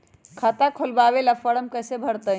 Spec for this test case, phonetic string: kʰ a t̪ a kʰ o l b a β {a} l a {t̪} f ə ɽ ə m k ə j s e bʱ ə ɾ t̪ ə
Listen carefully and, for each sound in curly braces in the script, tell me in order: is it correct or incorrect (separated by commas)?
incorrect, incorrect